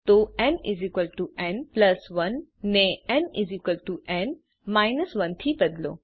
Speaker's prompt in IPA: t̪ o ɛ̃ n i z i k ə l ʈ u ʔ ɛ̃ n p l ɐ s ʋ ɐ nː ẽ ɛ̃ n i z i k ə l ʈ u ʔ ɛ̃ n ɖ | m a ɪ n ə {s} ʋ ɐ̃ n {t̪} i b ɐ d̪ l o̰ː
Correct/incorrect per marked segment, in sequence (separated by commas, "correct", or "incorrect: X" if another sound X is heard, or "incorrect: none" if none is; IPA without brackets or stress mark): correct, incorrect: t̪ʰ